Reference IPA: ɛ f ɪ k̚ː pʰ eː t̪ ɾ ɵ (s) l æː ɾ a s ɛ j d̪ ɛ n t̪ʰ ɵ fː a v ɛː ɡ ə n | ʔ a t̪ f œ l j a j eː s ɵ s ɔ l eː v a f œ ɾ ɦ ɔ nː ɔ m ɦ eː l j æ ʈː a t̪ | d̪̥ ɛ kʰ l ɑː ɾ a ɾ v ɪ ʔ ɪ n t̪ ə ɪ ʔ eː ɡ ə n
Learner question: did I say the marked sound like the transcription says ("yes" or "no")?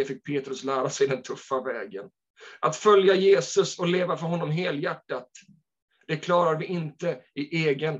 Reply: yes